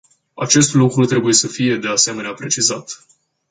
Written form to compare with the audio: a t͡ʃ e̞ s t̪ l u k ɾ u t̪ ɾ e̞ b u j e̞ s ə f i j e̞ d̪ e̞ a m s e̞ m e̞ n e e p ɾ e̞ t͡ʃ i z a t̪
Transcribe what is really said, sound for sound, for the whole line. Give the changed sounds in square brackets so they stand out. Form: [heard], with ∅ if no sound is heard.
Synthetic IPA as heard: a t͡ʃ e̞ s t̪ l u k ɾ u t̪ ɾ e̞ b u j e̞ s ə f i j e̞ d̪ e̞ a [∅] s e̞ m e̞ n e [a] p ɾ e̞ t͡ʃ i z a t̪